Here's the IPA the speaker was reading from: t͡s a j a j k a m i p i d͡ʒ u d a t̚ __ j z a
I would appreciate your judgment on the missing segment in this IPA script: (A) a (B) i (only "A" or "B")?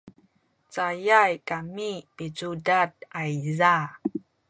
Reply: A